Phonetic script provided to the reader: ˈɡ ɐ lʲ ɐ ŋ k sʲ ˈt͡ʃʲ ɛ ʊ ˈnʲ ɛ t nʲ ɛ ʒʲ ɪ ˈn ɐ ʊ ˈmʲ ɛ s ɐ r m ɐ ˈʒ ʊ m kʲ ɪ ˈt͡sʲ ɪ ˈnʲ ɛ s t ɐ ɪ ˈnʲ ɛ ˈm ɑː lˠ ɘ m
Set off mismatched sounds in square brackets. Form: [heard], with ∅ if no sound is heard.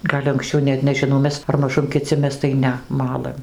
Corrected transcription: ˈɡ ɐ lʲ ɐ ŋ k sʲ ˈt͡ʃʲ ɛ ʊ ˈnʲ ɛ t nʲ ɛ ʒʲ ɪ ˈn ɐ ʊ ˈmʲ ɛ s ɐ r m ɐ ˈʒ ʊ m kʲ ɪ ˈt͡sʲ ɪ [ˈmʲ] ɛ s t ɐ ɪ ˈnʲ ɛ ˈm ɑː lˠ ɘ m